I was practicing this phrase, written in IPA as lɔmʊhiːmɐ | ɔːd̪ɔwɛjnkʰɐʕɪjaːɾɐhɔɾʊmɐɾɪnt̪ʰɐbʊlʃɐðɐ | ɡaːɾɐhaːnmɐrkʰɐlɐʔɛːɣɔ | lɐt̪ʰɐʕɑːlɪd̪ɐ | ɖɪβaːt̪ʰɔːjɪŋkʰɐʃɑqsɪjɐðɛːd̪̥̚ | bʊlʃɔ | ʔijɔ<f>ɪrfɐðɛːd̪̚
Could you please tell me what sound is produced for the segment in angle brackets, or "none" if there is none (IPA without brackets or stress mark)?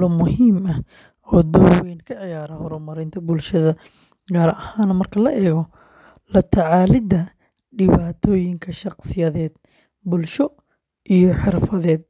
ħ